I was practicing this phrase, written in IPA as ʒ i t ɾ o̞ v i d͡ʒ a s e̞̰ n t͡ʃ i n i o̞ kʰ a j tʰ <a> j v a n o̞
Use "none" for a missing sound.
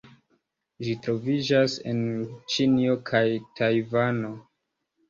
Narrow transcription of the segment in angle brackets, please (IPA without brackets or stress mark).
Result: a